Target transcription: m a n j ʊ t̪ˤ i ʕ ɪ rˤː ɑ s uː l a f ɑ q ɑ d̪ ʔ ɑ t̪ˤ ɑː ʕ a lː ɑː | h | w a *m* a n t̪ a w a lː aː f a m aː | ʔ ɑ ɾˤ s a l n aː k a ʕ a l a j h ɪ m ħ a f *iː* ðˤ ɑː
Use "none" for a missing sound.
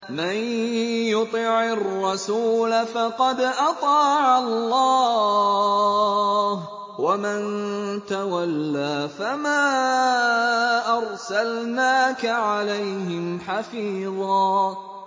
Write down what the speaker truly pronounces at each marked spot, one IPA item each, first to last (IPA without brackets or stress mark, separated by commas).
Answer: m, iː